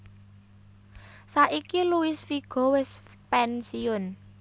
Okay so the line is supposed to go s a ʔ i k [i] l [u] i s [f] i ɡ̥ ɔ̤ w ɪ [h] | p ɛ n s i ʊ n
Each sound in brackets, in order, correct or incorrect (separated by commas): correct, correct, correct, incorrect